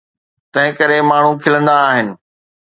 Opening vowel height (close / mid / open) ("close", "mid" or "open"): open